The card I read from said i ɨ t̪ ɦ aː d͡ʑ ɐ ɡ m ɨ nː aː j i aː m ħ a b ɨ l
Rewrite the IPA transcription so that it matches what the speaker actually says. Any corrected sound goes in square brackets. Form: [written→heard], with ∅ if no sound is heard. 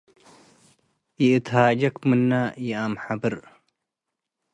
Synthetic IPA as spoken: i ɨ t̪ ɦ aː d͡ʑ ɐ [ɡ→k] m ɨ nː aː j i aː m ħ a b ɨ [l→ɾ]